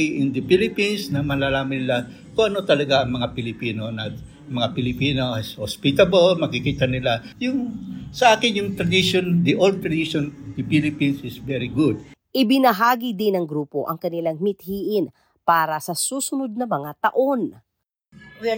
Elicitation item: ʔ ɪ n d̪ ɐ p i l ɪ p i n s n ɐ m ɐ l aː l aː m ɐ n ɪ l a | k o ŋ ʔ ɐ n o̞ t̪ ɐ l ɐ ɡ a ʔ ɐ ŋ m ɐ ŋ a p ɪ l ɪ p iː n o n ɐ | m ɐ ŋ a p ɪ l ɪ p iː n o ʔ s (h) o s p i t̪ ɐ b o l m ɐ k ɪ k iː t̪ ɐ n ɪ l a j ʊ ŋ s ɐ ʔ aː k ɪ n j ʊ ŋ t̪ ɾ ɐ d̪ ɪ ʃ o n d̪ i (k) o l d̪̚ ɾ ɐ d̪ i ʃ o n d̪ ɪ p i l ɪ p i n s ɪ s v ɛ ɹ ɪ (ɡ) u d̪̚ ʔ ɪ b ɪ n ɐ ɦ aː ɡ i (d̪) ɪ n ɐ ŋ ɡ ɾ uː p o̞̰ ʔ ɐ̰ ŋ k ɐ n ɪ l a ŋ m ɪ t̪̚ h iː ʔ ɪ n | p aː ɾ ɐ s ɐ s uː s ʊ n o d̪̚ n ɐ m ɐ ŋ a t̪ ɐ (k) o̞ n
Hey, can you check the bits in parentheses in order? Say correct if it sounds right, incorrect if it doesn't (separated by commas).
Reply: correct, incorrect, correct, correct, incorrect